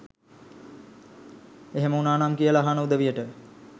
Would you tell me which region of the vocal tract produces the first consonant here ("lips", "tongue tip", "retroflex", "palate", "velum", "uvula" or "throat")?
throat